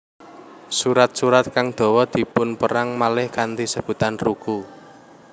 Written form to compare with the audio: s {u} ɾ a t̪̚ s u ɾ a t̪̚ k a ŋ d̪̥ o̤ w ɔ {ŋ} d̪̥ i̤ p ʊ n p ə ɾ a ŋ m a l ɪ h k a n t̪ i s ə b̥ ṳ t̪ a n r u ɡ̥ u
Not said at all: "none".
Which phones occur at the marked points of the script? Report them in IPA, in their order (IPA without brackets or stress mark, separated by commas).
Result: u, none